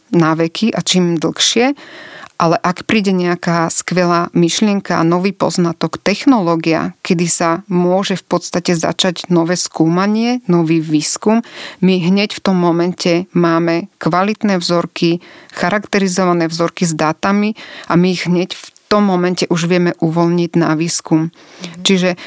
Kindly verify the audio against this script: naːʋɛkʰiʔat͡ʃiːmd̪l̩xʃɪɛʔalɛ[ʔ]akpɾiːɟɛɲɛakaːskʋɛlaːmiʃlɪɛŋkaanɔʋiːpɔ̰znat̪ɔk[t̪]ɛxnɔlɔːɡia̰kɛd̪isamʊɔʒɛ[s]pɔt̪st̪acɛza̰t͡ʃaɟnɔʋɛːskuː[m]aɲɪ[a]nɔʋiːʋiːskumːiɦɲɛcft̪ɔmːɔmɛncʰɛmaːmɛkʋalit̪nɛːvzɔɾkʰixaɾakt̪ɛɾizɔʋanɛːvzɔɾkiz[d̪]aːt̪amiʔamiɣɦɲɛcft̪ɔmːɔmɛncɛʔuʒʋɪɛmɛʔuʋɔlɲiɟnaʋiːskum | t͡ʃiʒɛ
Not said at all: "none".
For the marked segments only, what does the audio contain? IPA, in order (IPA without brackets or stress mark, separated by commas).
ʔ, t̪, f, m, ɛ, d̪